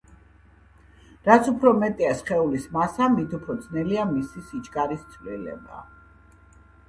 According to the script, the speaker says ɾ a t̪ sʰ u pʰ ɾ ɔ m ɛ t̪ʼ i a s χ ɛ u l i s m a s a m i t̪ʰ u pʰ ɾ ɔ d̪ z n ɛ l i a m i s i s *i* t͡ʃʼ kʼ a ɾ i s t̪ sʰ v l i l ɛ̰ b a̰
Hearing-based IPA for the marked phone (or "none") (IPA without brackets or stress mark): i